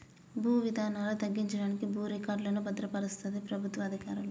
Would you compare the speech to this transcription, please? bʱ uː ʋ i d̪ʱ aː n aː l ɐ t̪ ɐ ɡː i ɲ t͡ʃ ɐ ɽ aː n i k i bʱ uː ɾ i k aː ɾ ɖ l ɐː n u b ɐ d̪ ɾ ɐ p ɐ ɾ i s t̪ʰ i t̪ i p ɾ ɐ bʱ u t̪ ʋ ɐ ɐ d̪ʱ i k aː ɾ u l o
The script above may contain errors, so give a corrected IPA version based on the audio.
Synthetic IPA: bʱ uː ʋ i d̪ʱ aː n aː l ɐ t̪ ɐ ɡː i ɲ t͡ʃ ɐ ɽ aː n i k i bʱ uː ɾ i k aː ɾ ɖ l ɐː n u b ɐ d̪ ɾ ɐ p ɐ ɾ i s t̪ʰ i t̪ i p ɾ ɐ bʱ u t̪ ʋ ɐ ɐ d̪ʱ i k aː ɾ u l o